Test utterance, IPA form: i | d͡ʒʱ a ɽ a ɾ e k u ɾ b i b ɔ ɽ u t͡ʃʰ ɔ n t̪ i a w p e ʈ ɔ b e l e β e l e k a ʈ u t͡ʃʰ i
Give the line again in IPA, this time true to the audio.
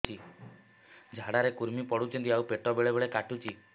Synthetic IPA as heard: i | d͡ʒʱ a ɽ a ɾ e k u ɾ m i p ɔ ɽ u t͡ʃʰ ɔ n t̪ i a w p e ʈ ɔ b e ɭ e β e ɭ e k a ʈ u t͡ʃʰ i

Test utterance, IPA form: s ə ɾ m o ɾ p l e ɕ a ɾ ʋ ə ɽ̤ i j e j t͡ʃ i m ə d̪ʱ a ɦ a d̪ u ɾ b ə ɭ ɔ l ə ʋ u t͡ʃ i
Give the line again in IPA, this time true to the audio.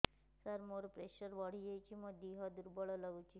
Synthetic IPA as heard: s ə ɾ m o ɾ p ɾ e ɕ ə ɾ ʋ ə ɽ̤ i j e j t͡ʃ i m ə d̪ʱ i ɦ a d̪ u ɾ b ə ɭ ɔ l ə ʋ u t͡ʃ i

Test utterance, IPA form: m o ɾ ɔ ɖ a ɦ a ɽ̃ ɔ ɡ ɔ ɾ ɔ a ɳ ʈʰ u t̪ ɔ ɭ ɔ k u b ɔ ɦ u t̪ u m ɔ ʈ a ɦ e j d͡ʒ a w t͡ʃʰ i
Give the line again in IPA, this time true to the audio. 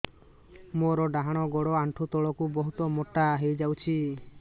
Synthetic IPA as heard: m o ɾ ɔ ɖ a ɦ a ɽ̃ ɔ ɡ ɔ ɽ ɔ a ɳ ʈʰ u t̪ ɔ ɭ ɔ k u b ɔ ɦ u t̪ ɔ m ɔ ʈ a ɦ e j d͡ʒ a w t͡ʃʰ i

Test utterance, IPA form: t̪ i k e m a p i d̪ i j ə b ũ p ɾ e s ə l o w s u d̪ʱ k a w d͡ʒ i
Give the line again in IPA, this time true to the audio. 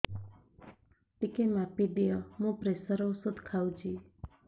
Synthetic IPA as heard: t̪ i k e m a p i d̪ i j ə m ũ p ɾ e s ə ɾ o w s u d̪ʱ kʰ a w d͡ʒ i

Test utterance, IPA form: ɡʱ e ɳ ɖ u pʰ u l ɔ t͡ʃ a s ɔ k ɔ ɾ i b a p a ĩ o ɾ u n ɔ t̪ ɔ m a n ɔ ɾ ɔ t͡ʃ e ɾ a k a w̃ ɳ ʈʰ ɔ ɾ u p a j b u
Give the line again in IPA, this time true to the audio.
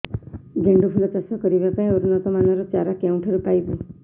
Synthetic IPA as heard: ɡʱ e ɳ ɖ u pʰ u l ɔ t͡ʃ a s ɔ k ɔ ɾ i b a p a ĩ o ɾ u n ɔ t̪ ɔ m a n ɔ ɾ ɔ t͡ʃ a ɾ a k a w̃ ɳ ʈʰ ɔ ɾ u p a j b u

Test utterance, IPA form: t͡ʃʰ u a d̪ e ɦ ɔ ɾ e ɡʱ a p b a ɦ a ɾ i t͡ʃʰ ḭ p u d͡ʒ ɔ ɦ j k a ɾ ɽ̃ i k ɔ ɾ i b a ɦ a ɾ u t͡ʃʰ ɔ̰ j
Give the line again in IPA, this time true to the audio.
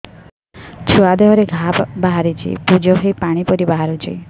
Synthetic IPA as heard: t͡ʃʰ u a d̪ e ɦ ɔ ɾ e ɡʱ a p b a ɦ a ɾ i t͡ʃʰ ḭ p u d͡ʒ ɔ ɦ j p a ɽ̃ i p ɔ ɾ i b a ɦ a ɾ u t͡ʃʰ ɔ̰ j

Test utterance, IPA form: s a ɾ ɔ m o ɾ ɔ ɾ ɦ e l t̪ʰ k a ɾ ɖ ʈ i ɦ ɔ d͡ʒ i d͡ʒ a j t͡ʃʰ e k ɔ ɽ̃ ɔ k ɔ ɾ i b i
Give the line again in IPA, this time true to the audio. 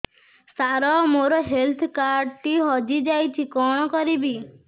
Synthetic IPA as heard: s a ɾ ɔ m o ɾ ɔ ɦ e l t̪ʰ k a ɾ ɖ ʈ i ɦ ɔ d͡ʒ i d͡ʒ a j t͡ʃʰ i k ɔ ɽ̃ ɔ k ɔ ɾ i b i

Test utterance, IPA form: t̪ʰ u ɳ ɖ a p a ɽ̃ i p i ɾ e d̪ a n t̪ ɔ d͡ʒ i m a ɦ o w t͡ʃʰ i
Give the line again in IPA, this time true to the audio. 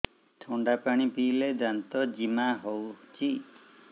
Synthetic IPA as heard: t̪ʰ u ɳ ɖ a p a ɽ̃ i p i l e d̪ a n t̪ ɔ d͡ʒ i m a ɦ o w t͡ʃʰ i

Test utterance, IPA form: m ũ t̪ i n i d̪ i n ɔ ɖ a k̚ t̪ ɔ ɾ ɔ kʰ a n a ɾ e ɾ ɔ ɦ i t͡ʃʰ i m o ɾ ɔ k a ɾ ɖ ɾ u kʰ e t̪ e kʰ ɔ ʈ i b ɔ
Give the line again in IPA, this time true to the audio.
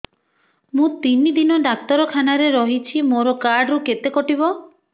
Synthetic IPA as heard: m ũ t̪ i n i d̪ i n ɔ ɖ a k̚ t̪ ɔ ɾ ɔ kʰ a n a ɾ e ɾ ɔ ɦ i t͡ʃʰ i m o ɾ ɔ k a ɾ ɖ ɾ u k e t̪ e k ɔ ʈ i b ɔ

